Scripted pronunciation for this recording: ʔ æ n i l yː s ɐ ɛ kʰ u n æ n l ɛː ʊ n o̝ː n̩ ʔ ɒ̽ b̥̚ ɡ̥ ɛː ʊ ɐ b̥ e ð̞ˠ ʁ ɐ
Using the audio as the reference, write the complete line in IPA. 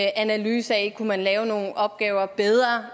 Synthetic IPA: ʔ æ n æ l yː s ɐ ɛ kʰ u m æ n l ɛː ʊ n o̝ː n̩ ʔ ɒ̽ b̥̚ ɡ̥ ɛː ʊ ɐ b̥ e ð̞ˠ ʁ ɐ

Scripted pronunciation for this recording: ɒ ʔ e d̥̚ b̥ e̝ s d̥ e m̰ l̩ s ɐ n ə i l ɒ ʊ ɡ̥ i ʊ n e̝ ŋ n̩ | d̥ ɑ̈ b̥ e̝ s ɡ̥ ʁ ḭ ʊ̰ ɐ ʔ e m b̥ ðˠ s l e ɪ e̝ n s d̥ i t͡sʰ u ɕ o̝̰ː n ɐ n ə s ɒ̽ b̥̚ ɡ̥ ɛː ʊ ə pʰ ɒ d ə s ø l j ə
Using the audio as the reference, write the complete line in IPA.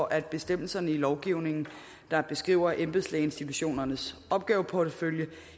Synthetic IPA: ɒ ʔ æ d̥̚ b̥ e̝ s d̥ e m̰ l̩ s ɐ n ə i l ɒ ʊ ɡ̥ i ʊ n e̝ ŋ n̩ | d̥ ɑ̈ b̥ e̝ s ɡ̥ ʁ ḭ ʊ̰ ɐ ʔ e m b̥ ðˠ s l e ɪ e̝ n s d̥ i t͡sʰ u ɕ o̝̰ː n ɐ n ə s ɒ̽ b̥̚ ɡ̥ ɛː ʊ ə pʰ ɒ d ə f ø l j ə

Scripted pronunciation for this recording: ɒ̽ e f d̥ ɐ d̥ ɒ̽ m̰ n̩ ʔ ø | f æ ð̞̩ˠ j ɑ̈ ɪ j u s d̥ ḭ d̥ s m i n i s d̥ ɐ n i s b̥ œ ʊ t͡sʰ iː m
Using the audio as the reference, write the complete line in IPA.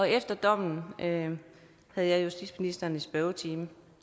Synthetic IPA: ɒ̽ e f d̥ ɐ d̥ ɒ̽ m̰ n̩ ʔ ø | h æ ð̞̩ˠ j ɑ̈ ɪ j u s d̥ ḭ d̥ s m i n i s d̥ ɐ n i s b̥ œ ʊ t͡sʰ iː m

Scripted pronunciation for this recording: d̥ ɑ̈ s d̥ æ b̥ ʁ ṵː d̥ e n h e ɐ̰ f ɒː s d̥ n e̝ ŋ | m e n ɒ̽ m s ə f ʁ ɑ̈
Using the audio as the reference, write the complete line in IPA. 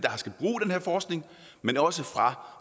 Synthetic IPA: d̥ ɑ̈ s ɡ̥ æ b̥ ʁ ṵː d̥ e n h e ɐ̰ f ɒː s ɡ̥ n e̝ ŋ | m e n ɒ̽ s ə f ʁ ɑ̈

